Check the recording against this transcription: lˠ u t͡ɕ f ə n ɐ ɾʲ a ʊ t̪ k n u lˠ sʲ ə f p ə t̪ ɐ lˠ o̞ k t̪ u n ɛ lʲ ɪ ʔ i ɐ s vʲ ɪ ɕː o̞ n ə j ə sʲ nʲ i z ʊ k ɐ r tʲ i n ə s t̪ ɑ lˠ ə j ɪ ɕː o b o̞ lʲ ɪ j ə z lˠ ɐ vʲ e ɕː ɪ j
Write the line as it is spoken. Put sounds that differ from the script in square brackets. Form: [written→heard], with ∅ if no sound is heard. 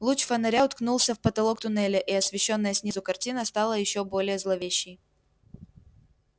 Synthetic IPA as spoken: lˠ u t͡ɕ f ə n ɐ ɾʲ a ʊ t̪ k n u lˠ sʲ ə f p ə t̪ ɐ lˠ o̞ k t̪ [u→ʊ] n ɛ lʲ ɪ ʔ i ɐ s vʲ ɪ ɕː o̞ [n→nː] ə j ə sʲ nʲ i z ʊ k ɐ r tʲ i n ə s t̪ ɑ lˠ ə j ɪ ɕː o b o̞ lʲ ɪ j ə z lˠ ɐ vʲ e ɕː ɪ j